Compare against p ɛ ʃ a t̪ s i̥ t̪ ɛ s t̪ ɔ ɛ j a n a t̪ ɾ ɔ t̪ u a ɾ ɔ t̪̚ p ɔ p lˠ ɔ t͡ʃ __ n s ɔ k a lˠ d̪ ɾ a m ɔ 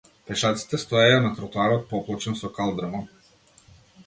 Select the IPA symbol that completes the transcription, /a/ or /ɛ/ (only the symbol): ɛ